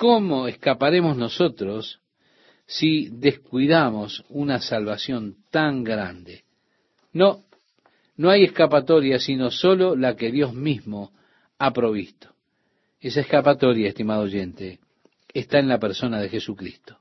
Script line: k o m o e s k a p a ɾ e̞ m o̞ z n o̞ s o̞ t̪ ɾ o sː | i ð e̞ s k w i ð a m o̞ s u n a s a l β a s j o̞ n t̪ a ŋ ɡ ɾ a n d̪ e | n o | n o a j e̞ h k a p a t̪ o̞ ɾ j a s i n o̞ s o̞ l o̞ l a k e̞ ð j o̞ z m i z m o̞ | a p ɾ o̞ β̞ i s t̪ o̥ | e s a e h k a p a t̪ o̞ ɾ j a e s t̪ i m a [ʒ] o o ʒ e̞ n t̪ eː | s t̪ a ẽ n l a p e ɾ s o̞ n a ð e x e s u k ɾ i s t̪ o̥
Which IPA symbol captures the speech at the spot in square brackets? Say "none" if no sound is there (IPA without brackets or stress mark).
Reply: ð